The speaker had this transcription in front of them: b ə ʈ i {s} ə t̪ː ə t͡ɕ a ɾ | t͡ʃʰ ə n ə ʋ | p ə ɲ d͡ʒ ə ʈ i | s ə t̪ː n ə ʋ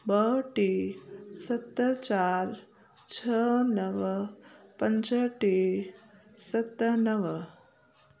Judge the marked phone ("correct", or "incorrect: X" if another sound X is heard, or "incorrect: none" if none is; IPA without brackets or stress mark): correct